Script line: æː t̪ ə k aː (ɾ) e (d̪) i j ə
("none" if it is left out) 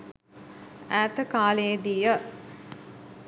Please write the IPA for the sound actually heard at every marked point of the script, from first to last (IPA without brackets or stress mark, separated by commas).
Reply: l, d̪